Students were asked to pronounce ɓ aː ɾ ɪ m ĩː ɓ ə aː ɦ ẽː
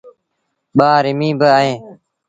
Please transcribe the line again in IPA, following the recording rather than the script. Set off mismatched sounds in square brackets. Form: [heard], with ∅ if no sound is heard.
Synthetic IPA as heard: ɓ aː ɾ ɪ m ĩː [b] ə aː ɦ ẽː